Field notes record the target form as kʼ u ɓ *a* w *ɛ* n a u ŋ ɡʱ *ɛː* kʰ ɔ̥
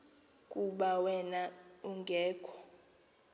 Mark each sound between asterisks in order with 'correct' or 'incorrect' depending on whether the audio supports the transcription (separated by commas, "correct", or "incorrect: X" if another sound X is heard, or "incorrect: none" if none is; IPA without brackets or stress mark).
correct, correct, correct